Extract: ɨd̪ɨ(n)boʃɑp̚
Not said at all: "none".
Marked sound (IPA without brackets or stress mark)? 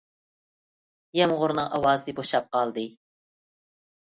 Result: none